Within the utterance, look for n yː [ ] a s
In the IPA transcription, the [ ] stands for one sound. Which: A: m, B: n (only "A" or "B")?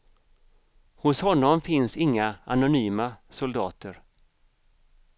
A